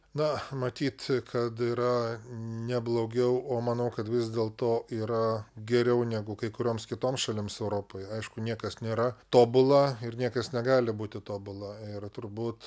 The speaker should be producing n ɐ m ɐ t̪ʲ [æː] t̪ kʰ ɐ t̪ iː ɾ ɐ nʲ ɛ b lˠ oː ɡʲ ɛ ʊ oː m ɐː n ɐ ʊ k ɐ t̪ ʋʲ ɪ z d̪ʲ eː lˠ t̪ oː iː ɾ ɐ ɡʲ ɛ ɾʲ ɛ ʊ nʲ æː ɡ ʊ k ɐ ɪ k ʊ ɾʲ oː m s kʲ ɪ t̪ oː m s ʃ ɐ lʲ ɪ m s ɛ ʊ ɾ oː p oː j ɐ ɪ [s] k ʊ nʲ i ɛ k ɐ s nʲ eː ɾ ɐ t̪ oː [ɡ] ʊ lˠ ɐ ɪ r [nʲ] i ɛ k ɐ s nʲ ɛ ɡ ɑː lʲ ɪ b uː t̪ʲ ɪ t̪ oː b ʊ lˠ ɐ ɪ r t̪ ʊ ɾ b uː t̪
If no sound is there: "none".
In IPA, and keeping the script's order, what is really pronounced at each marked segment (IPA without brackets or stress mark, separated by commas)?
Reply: iː, ʃ, b, nʲ